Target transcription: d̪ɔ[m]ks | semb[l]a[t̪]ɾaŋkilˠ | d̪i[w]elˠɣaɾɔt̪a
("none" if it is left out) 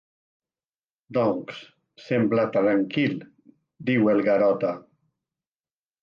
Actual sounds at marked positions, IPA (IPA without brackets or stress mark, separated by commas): ŋ, l, t̪, w